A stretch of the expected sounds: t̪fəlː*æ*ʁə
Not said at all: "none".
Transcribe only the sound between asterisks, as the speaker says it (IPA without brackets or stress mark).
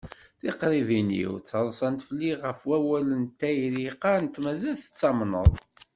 i